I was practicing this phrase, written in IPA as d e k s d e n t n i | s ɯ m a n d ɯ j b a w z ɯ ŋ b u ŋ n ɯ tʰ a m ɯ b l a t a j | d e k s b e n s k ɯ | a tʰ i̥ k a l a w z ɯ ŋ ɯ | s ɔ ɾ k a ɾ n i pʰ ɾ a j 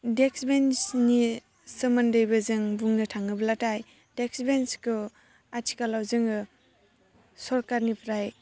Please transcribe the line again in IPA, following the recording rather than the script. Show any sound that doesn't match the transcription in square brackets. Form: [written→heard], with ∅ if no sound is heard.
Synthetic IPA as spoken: d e k s [d→b] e n [t→s] n i | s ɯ m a n d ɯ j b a [w→∅] z ɯ ŋ b u ŋ n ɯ tʰ a [m→ŋ] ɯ b l a t a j | d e k s b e n s k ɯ | a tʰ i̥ k a l a w z ɯ ŋ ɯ | s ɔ ɾ k a ɾ n i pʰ ɾ a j